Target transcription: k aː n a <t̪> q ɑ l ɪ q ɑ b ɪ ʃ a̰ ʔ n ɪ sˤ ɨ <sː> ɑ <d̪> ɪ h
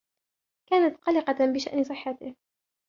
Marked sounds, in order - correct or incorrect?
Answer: correct, incorrect, incorrect

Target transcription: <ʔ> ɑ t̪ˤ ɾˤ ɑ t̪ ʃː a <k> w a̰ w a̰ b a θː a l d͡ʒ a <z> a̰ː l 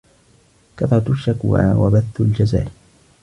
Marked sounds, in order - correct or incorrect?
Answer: incorrect, correct, correct

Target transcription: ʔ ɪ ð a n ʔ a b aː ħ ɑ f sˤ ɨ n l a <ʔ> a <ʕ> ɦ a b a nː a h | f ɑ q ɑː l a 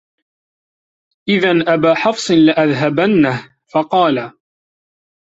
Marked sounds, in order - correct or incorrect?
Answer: correct, incorrect

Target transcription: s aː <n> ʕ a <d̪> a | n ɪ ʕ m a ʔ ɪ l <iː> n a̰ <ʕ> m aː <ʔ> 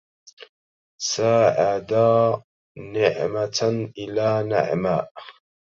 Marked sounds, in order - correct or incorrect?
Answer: incorrect, correct, incorrect, correct, correct

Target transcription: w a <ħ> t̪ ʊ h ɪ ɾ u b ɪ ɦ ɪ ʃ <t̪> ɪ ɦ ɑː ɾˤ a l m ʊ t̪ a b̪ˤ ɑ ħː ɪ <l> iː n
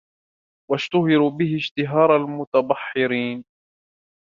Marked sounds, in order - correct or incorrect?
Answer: incorrect, correct, incorrect

